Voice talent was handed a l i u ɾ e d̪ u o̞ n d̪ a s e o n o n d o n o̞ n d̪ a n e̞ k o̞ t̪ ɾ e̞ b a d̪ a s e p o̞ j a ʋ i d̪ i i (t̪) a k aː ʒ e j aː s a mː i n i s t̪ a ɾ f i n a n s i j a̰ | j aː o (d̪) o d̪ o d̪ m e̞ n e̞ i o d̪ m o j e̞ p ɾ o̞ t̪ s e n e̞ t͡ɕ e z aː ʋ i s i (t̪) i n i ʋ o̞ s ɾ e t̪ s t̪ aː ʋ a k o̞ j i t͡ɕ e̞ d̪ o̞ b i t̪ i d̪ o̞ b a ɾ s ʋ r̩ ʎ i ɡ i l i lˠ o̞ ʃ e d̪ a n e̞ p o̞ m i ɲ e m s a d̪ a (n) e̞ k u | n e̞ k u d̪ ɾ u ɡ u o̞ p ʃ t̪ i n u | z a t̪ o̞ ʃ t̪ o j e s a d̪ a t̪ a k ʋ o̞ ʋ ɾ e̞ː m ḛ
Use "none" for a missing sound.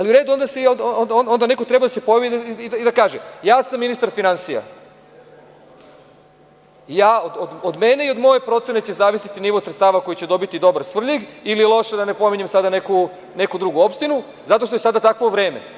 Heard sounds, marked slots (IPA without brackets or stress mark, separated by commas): d̪, d̪, t̪, n